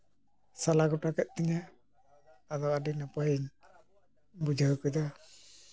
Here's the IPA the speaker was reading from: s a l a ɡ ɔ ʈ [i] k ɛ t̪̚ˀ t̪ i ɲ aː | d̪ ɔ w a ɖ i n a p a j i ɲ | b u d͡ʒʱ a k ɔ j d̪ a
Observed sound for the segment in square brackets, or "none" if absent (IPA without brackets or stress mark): a